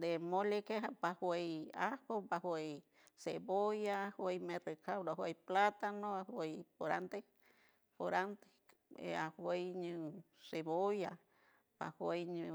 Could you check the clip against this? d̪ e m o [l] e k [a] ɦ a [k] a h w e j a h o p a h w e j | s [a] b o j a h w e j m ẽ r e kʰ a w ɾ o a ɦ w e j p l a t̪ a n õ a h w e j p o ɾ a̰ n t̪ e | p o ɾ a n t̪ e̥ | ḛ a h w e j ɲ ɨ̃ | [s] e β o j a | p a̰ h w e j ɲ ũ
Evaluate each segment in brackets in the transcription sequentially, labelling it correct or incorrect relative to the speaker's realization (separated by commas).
correct, incorrect, incorrect, incorrect, correct